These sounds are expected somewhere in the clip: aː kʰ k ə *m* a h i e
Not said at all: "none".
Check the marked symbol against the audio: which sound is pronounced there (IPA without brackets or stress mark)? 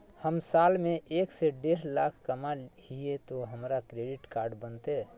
m